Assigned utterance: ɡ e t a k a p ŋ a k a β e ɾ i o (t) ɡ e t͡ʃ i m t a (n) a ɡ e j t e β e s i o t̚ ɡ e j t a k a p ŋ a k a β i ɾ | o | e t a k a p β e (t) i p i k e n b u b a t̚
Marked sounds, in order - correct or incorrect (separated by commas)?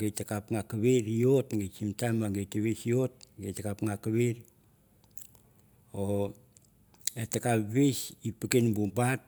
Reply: correct, incorrect, incorrect